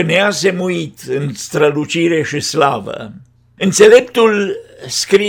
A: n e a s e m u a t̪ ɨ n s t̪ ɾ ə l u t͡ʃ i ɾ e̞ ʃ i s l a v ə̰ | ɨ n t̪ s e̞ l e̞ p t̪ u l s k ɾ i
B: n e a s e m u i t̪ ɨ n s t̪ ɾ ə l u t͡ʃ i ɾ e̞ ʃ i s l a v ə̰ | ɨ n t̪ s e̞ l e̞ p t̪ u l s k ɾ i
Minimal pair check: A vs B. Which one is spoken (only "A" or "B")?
B